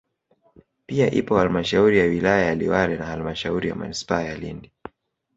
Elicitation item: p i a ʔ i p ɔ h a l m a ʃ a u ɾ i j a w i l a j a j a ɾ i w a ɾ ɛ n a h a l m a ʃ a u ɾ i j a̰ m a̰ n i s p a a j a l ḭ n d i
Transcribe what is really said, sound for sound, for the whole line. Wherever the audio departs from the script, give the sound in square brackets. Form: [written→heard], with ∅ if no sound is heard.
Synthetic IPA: p i a ʔ i p ɔ h a l m a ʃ a u ɾ i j a w i l a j a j a [ɾ→l] i w a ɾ ɛ n a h a l m a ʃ a u ɾ i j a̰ m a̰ n i s p a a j a l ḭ n d i

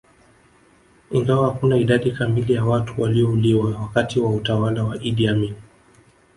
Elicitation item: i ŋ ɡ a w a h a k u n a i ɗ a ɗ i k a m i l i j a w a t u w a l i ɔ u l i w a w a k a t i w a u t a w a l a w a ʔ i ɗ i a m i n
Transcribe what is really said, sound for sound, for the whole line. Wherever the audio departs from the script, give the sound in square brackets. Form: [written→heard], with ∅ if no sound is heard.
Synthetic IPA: i ŋ ɡ a w a h a k u n a i ɗ a ɗ i k a m i l i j a w a t u w a l i ɔ u l i w a w a k a t i w a u t a w a l a w a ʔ i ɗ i a m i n

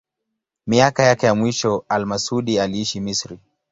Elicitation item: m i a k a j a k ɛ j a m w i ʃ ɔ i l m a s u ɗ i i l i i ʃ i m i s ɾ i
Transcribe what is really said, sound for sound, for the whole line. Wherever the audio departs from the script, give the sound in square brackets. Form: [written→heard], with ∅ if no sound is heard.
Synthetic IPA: m i a k a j a k ɛ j a m w i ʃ ɔ [i→a] l m a s u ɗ i [i→a] l i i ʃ i m i s ɾ i

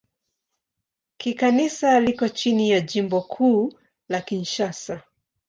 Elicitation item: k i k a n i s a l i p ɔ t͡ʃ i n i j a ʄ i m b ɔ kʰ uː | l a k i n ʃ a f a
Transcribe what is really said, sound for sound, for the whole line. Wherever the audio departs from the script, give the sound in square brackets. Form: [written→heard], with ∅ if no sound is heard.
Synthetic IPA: k i k a n i s a l i [p→k] ɔ t͡ʃ i n i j a ʄ i m b ɔ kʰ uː | l a k i n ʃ a [f→s] a

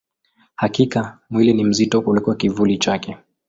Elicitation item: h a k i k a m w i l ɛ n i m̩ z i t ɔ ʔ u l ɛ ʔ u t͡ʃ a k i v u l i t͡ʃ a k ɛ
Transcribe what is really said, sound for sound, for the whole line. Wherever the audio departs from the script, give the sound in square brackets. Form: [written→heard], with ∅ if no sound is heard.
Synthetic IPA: h a k i k a m w i l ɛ n i m̩ z i t ɔ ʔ u l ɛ [ʔ→k] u [t͡ʃ→∅] a k i v u l i t͡ʃ a k ɛ

